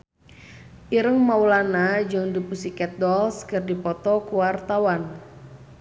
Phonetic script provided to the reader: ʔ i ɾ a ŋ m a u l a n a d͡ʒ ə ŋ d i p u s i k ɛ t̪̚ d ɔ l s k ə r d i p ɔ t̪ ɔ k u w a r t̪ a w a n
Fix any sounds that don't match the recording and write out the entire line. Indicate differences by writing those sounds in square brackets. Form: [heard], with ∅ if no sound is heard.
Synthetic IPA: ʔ i ɾ [ə] ŋ m a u l a n a d͡ʒ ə ŋ d i p u s i k ɛ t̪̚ d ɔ l s k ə r d i p ɔ t̪ ɔ k u w a r t̪ a w a n